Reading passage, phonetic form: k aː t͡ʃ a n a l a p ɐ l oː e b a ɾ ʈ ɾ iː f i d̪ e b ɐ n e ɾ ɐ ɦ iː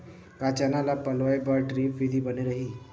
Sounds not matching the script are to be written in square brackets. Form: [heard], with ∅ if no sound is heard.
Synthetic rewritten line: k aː t͡ʃ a n a l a p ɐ l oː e b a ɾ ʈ ɾ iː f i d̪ [i] b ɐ n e ɾ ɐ ɦ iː